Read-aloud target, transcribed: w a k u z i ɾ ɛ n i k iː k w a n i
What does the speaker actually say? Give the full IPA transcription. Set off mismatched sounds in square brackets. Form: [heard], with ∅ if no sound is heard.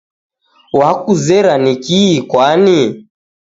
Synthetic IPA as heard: w a k u z [ɛ] ɾ [a] n i k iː k w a n i